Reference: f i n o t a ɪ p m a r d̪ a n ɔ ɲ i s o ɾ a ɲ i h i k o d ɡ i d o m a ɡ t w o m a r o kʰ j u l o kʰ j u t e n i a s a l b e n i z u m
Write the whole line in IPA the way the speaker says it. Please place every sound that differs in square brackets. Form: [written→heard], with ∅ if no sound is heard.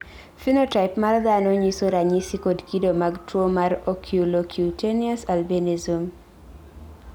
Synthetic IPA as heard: f i n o t a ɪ p m a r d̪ a n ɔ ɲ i s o ɾ a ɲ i [h→s] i k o d [ɡ→k] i d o m a ɡ t w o m a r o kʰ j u l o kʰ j u t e n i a s a l b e n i z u m